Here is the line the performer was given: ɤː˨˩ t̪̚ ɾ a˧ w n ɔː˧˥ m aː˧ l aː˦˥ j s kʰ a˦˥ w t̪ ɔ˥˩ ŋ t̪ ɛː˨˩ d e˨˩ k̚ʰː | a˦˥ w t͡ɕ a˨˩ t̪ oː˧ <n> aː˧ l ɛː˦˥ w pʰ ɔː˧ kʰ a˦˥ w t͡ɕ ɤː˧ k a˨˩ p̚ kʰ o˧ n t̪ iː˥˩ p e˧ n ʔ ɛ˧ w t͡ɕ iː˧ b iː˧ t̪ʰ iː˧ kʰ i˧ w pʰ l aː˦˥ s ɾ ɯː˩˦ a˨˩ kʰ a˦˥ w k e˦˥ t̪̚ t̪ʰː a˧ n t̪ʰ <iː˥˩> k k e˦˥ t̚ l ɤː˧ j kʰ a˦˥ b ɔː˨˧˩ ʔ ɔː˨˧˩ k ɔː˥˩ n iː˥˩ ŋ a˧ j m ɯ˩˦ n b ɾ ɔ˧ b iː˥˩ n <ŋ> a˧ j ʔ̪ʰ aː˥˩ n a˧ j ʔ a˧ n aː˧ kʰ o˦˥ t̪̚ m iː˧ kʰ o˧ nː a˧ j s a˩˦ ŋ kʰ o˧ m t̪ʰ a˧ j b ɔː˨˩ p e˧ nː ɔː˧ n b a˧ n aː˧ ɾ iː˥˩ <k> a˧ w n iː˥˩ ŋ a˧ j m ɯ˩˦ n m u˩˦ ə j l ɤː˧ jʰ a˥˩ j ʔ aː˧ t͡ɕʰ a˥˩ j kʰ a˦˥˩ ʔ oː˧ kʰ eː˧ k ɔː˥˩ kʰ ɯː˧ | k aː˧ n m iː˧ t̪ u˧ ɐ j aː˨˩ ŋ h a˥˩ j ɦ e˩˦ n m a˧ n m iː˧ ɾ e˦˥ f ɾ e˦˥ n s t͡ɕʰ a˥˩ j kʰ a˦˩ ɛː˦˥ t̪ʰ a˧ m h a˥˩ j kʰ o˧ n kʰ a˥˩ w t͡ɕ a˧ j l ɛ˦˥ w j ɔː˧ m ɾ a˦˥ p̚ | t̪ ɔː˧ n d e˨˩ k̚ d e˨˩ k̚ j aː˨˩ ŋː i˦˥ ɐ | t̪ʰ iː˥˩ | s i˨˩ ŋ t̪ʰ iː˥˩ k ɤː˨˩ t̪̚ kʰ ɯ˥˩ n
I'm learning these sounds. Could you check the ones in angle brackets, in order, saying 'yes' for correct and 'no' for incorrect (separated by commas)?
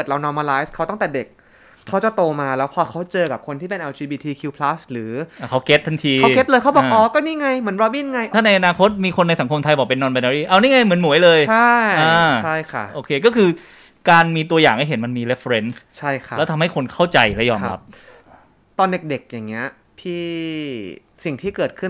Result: no, no, yes, no